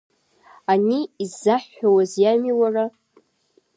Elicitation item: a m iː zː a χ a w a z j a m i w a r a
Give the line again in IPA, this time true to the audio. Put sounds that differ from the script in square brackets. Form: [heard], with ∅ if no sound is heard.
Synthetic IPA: a [n] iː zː a [ħ] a w a z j a m i w a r a

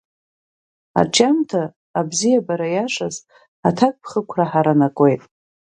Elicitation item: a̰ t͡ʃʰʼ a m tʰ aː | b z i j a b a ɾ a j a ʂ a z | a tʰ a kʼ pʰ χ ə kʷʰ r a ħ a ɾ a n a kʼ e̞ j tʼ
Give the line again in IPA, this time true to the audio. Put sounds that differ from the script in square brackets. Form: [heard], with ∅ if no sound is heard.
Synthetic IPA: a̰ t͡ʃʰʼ a m tʰ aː | b z i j a b a ɾ a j a ʂ a z | a tʰ a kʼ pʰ χ ə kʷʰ r a ħ a ɾ a n a kʼ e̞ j tʼ

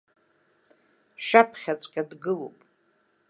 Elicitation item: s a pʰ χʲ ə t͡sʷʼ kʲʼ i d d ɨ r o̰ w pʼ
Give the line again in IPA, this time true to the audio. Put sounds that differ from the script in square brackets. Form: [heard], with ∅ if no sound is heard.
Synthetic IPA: [ʃ] a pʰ χʲ [a] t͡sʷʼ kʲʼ [a] d [ɡ] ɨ [l] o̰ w pʼ

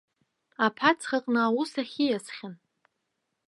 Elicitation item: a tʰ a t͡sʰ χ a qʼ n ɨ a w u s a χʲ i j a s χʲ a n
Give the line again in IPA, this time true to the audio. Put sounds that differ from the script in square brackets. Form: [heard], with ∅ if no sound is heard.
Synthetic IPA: a [pʰ] a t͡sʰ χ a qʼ n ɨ a w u s a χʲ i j a s χʲ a n

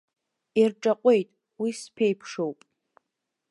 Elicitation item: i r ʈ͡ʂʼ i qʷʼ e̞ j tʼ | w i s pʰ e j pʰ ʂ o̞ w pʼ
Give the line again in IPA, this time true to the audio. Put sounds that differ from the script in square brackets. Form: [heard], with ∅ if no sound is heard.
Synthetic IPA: i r ʈ͡ʂʼ [a] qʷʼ e̞ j tʼ | w i s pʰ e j pʰ ʂ o̞ w pʼ

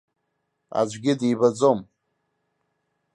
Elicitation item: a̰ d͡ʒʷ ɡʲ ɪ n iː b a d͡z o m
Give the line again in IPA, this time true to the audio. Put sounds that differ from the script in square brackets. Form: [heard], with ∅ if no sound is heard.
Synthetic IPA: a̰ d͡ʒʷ ɡʲ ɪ [d] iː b a d͡z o m

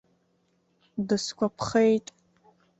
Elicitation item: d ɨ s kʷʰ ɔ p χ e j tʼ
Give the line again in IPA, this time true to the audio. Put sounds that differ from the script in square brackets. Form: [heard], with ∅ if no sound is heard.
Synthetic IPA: d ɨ s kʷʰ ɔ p χ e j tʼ

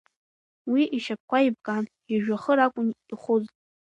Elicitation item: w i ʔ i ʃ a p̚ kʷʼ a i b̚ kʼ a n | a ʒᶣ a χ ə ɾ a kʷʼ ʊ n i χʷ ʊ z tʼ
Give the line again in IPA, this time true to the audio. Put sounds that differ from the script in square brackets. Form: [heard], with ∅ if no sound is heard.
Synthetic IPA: w i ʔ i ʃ a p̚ [kʷ] a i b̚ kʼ a n | [i] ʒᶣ a χ ə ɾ a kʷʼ ʊ n i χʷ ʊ z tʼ

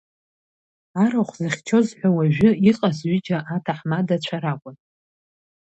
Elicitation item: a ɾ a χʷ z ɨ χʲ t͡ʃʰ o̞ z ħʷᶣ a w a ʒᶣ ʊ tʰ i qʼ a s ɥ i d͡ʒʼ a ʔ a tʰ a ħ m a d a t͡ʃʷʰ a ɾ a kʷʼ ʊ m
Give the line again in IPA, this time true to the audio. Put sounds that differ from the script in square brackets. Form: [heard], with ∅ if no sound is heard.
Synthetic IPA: a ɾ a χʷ z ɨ χʲ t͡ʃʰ o̞ z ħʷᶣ a w a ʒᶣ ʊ [∅] i qʼ a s ɥ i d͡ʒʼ a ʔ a tʰ a ħ m a d a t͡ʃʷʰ a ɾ a kʷʼ ʊ [n]

